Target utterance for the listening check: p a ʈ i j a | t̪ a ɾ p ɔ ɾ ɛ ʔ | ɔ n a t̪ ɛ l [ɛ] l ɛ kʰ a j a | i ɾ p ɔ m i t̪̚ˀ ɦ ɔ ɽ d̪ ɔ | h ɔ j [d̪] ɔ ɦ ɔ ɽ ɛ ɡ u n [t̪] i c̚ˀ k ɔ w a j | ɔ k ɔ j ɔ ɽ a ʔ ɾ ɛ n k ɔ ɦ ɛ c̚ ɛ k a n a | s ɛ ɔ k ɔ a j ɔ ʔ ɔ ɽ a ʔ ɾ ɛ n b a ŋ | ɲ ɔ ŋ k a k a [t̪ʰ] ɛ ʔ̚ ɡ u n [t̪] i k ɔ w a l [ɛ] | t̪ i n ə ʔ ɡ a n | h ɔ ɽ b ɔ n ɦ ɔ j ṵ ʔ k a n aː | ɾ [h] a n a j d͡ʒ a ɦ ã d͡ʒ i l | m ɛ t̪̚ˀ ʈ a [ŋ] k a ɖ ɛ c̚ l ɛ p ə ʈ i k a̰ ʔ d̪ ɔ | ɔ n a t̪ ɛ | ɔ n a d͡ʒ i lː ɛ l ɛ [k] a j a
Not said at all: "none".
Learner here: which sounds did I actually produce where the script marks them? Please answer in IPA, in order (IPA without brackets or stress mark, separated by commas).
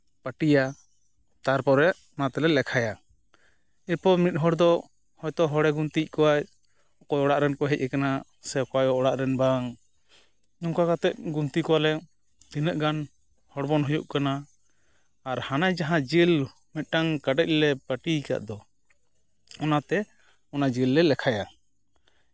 ɛ, t̪, t̪, t̪, t̪, ɛ, h, ŋ, kʰ